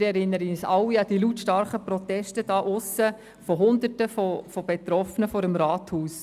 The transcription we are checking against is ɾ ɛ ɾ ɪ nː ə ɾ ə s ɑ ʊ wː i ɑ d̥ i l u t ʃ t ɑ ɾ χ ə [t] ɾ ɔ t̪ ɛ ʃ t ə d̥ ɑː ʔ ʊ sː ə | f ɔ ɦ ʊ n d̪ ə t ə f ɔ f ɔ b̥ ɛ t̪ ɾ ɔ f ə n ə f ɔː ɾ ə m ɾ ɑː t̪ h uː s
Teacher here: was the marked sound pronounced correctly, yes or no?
no